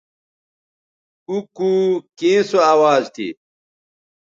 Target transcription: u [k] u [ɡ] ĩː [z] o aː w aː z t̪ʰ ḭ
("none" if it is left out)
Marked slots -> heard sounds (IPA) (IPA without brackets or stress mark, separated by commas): k, k, s